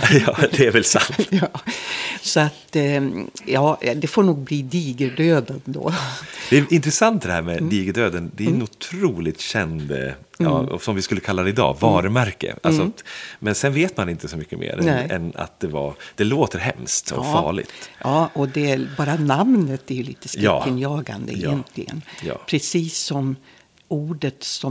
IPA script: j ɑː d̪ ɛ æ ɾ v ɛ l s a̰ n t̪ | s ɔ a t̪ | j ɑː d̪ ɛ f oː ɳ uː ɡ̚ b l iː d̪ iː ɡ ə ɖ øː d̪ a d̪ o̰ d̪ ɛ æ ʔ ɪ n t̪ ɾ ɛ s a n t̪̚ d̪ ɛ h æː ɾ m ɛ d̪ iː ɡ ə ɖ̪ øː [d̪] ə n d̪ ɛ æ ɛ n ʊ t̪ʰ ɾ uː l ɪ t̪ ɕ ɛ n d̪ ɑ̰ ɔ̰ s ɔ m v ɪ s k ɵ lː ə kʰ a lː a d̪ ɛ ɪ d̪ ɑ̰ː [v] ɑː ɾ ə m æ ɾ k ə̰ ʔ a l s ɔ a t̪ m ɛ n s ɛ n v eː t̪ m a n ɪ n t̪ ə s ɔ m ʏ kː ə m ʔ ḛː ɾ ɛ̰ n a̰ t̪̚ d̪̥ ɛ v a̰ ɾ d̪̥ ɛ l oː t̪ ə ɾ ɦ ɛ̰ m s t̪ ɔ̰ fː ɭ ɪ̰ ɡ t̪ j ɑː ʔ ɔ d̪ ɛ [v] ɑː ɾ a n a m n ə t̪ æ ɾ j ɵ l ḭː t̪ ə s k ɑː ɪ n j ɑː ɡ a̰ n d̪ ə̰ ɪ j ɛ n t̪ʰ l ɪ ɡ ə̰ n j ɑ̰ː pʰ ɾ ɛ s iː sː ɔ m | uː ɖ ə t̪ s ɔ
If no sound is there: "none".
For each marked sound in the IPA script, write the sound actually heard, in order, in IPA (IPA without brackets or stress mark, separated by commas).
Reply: d̪, v, b